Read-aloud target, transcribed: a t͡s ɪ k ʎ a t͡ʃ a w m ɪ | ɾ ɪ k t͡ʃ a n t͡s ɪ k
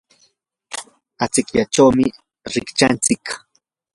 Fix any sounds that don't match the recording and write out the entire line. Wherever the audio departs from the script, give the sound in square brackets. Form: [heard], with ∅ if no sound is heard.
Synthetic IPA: a t͡s ɪ k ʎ a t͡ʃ a w m ɪ | ɾ ɪ k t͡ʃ a n t͡s ɪ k

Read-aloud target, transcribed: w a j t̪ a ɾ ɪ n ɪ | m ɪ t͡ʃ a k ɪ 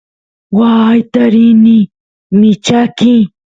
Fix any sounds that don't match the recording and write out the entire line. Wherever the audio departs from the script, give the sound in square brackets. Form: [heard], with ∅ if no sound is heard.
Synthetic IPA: w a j t̪ a ɾ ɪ n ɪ | m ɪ t͡ʃ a k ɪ

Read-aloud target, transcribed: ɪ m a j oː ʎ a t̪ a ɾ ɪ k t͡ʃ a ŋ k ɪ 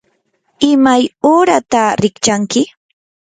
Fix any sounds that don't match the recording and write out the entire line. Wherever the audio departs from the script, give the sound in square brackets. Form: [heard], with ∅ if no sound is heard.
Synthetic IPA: ɪ m a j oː [ɾ] a t̪ a ɾ ɪ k t͡ʃ a ŋ k ɪ

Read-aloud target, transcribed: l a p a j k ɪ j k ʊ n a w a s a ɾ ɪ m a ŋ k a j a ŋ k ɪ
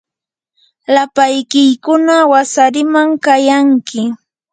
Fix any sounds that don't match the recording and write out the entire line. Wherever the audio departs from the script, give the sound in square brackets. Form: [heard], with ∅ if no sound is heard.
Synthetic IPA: l a p a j k ɪ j k ʊ n a w a s a ɾ ɪ m a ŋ k a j a ŋ k ɪ

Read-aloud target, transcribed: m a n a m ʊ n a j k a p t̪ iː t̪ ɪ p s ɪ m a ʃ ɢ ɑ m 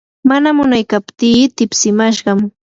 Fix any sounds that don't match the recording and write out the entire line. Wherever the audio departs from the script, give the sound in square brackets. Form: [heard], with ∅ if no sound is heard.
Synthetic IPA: m a n a m ʊ n a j k a p t̪ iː t̪ ɪ p s ɪ m a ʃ ɢ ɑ m

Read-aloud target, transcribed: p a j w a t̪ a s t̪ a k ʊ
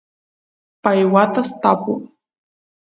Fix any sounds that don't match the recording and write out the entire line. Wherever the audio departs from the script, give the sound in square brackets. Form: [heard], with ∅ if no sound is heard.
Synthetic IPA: p a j w a t̪ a s t̪ a [p] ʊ

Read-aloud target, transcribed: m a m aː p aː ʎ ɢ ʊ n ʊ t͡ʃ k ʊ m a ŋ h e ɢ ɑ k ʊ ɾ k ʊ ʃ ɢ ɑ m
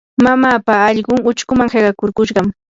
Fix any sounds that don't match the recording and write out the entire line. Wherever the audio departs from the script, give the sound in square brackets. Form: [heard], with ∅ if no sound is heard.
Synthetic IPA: m a m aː p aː ʎ ɢ ʊ [ŋ] ʊ t͡ʃ k ʊ m a ŋ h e ɢ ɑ k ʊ ɾ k ʊ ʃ ɢ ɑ m

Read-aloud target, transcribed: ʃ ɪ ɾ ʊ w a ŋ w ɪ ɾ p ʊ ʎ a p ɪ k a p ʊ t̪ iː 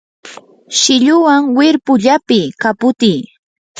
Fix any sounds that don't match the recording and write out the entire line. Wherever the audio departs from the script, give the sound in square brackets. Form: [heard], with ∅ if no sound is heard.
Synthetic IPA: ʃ ɪ [ʎ] ʊ w a ŋ w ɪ ɾ p ʊ ʎ a p ɪ k a p ʊ t̪ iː

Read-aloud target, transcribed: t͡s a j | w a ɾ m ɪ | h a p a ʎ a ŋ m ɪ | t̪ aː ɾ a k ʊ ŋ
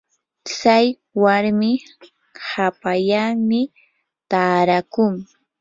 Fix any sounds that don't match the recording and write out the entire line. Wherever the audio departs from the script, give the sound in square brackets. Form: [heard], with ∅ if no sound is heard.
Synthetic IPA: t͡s a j | w a ɾ m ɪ | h a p a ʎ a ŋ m ɪ | t̪ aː ɾ a k ʊ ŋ

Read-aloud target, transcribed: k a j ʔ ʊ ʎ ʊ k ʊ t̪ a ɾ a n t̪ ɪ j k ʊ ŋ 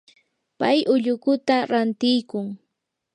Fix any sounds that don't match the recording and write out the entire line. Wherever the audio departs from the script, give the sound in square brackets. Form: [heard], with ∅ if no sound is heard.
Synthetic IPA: [p] a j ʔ ʊ ʎ ʊ k ʊ t̪ a ɾ a n t̪ ɪ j k ʊ ŋ

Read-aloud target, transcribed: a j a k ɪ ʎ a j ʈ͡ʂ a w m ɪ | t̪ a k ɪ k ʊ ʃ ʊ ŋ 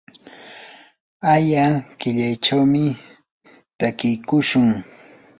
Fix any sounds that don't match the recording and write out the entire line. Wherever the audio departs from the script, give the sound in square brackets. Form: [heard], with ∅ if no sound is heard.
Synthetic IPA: a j a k ɪ ʎ a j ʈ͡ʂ a w m ɪ | t̪ a k ɪ k ʊ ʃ ʊ ŋ

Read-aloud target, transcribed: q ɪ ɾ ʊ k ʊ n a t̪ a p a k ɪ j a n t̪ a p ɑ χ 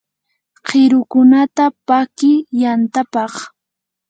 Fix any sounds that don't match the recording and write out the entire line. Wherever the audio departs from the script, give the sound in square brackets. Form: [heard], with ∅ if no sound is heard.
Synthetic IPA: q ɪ ɾ ʊ k ʊ n a t̪ a p a k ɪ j a n t̪ a p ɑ χ

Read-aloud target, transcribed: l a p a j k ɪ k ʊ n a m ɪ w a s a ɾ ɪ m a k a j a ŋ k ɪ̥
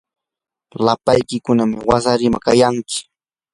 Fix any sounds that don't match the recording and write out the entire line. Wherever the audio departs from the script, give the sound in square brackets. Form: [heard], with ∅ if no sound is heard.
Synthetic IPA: l a p a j k ɪ k ʊ n a m ɪ w a s a ɾ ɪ m a k a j a ŋ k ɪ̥

